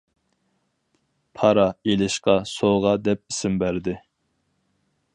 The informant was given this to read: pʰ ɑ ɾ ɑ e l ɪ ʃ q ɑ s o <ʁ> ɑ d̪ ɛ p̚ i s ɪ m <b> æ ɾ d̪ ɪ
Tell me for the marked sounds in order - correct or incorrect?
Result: correct, correct

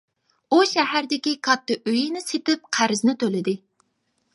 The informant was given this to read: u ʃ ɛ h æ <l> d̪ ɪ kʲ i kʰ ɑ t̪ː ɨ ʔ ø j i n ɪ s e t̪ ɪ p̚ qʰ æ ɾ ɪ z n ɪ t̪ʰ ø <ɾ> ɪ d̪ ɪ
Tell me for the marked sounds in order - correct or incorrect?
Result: incorrect: ɾ, incorrect: l

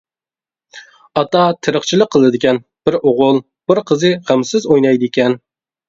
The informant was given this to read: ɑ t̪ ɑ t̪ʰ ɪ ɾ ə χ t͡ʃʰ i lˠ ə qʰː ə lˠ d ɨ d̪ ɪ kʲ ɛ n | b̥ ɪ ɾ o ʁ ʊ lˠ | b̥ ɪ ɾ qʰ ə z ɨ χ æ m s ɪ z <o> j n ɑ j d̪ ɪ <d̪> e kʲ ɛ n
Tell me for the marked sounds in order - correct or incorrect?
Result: correct, incorrect: none

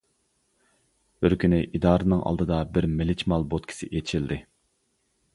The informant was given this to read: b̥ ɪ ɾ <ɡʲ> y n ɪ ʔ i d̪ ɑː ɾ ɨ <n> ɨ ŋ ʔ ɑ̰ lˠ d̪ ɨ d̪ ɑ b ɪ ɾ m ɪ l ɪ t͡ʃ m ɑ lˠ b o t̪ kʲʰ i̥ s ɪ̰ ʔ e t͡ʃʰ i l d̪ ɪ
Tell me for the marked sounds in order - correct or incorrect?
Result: incorrect: kʲ, correct

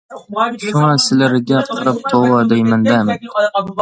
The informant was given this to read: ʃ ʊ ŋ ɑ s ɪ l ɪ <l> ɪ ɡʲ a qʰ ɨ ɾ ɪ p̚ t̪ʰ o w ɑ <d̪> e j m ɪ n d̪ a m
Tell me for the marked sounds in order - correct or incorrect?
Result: incorrect: ɾ, correct

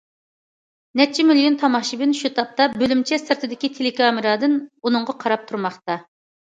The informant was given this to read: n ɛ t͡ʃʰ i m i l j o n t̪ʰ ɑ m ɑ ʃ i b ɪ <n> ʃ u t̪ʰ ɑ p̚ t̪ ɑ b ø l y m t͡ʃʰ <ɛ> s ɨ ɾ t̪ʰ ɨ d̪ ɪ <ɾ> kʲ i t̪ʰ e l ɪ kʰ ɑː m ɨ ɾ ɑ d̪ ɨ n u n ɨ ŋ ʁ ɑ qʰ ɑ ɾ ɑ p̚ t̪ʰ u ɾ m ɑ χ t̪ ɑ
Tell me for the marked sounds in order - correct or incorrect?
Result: correct, correct, incorrect: none

